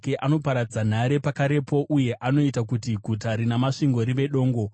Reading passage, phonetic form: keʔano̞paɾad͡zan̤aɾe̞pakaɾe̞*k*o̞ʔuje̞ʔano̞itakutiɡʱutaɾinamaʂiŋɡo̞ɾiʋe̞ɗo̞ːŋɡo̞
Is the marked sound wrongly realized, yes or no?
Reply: yes